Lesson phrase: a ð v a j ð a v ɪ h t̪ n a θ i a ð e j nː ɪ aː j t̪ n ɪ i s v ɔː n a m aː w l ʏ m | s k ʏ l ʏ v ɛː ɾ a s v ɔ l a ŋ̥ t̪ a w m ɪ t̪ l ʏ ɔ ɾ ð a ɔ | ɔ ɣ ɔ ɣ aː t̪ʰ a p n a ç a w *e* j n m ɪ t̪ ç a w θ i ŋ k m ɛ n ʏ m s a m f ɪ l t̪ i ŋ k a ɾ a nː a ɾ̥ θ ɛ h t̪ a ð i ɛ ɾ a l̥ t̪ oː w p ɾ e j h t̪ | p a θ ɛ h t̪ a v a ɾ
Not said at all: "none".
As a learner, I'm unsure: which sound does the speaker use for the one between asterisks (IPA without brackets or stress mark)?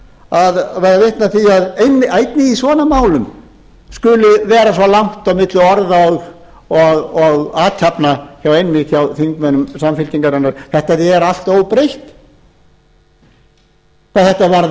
e